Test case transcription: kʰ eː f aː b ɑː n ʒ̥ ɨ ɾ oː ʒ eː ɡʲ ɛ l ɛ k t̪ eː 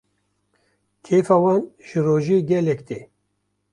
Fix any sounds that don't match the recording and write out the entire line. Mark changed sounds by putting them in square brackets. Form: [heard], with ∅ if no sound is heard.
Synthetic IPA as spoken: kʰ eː f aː [w] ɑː n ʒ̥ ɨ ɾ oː ʒ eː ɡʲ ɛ l ɛ k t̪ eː